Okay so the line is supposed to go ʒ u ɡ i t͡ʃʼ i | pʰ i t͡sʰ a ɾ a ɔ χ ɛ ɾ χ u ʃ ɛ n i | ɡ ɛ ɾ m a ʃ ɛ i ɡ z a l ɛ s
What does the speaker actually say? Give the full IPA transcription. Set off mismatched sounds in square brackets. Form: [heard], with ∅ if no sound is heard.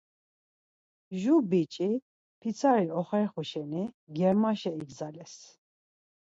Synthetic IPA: ʒ u [b] i t͡ʃʼ i | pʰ i t͡sʰ a ɾ [i] ɔ χ ɛ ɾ χ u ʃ ɛ n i | ɡ ɛ ɾ m a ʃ ɛ i ɡ z a l ɛ s

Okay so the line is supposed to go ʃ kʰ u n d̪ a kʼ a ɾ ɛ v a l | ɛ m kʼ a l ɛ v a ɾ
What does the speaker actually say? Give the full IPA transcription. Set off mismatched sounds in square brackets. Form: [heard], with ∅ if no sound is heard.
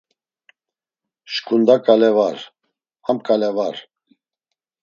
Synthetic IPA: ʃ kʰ u n d̪ a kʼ a [l] ɛ v a [ɾ] | [a] m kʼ a l ɛ v a ɾ

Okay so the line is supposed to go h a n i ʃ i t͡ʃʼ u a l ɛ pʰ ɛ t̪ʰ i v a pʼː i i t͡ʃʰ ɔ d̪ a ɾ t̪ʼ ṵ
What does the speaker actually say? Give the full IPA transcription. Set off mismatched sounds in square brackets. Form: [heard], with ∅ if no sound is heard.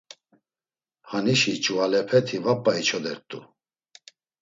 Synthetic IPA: h a n i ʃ i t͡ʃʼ u a l ɛ pʰ ɛ t̪ʰ i v a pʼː [a] i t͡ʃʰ ɔ d̪ [ɛ] ɾ t̪ʼ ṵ

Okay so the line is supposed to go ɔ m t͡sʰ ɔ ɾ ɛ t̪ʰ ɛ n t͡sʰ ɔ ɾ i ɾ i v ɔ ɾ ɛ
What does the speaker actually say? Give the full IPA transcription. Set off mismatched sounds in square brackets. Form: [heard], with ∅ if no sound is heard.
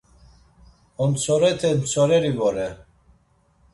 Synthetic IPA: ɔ [n] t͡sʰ ɔ ɾ ɛ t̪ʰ ɛ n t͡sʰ ɔ ɾ [ɛ] ɾ i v ɔ ɾ ɛ

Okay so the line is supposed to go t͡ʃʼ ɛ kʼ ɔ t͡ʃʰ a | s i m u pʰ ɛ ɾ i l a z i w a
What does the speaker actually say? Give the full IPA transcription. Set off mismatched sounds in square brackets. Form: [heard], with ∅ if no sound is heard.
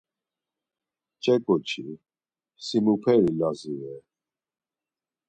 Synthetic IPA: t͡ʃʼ ɛ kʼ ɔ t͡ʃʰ [i] | s i m u pʰ ɛ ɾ i l a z i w [ɛ]

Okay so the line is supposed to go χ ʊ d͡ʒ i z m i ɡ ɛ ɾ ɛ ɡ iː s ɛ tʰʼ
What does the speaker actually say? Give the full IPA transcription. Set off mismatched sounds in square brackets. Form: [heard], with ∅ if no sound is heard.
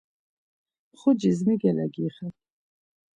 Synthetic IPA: χ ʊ d͡ʒ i z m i ɡ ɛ [l] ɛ ɡ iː [χ] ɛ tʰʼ

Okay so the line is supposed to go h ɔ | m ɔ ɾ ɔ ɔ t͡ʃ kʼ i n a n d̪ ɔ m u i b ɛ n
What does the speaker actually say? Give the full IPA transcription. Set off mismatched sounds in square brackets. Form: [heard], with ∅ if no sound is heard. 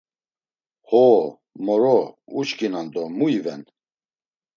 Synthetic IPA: h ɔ | m ɔ ɾ ɔ [u] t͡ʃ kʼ i n a n d̪ ɔ m u i [v] ɛ n

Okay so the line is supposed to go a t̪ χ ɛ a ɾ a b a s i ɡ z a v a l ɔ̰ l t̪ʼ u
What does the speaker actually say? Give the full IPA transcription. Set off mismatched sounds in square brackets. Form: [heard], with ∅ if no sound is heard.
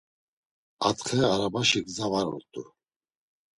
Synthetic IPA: a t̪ χ ɛ a ɾ a b a [ʃ] i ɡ z a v a [ɾ] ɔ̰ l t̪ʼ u

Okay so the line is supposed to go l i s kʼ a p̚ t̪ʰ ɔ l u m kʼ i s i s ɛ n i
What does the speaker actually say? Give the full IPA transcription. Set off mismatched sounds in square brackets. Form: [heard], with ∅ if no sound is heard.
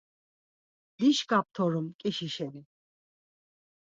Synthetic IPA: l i [ʃ] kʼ a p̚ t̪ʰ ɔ [ɾ] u m kʼ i [ʃ] i [ʃ] ɛ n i

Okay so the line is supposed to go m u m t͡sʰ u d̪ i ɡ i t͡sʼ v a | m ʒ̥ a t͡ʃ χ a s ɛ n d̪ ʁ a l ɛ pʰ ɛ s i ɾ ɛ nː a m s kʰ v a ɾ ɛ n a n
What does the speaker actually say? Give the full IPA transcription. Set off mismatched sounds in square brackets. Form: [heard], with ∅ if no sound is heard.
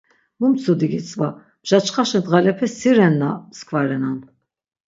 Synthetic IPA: m u m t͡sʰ u d̪ i ɡ i t͡sʼ v a | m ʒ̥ a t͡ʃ χ a [ʃ] ɛ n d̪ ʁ a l ɛ pʰ ɛ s i ɾ ɛ nː a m s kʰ v a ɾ ɛ n a n

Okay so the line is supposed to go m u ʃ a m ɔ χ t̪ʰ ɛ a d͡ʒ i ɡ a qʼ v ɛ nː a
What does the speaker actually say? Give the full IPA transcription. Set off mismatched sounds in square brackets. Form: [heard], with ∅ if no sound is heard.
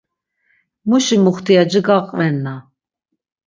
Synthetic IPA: m u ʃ [i] m [u] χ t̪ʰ [i] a d͡ʒ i ɡ a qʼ v ɛ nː a

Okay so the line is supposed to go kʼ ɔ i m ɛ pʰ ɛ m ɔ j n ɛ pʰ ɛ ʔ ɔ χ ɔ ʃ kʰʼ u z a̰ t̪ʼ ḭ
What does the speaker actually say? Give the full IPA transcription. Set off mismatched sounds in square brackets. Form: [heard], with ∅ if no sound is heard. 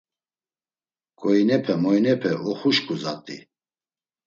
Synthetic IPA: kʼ ɔ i [n] ɛ pʰ ɛ m ɔ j n ɛ pʰ ɛ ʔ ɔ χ [u] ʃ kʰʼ u z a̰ t̪ʼ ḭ

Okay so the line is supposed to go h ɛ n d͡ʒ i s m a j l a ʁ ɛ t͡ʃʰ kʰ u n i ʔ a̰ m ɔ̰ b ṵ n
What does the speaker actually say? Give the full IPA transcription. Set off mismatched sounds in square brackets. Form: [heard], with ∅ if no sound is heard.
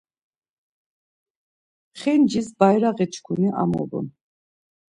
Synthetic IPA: [χ] ɛ n d͡ʒ i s [b] a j [ɾ] a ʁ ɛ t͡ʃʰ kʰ u n i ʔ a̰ m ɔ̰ b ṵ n

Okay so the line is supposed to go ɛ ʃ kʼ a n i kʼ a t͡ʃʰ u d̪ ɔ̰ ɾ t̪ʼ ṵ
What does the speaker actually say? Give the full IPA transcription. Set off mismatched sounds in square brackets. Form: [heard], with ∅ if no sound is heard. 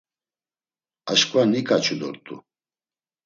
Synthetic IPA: [a] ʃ kʼ a n i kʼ a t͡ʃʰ u d̪ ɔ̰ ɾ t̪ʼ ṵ

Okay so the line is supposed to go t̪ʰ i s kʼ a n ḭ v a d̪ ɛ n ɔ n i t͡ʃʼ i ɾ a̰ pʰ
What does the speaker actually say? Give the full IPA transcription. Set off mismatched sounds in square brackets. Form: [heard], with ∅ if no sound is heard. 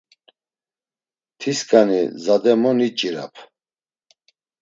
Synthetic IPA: t̪ʰ i s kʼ a n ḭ [z] a d̪ ɛ [m] ɔ n i t͡ʃʼ i ɾ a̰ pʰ

